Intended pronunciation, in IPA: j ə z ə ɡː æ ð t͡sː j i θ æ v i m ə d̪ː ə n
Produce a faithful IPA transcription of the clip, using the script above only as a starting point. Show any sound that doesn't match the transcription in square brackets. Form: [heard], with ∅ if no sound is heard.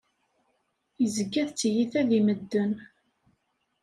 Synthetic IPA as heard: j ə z ə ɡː æ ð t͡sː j i θ æ [ð] i m ə d̪ː ə n